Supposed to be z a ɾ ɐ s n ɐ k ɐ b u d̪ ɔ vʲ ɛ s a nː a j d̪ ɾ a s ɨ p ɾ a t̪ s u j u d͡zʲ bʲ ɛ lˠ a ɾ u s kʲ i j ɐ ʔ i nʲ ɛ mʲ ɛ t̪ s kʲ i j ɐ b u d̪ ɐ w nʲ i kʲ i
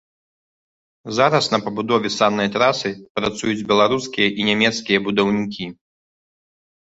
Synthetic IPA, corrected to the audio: z a ɾ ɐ s n ɐ p ɐ b u d̪ ɔ vʲ ɛ s a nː ɐ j t̪ ɾ a s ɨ p ɾ a t̪ s u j u d͡zʲ bʲ ɛ lˠ a ɾ u s kʲ i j ɐ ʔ i nʲ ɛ mʲ ɛ t̪ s kʲ i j ɐ b u d̪ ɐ w nʲ i kʲ i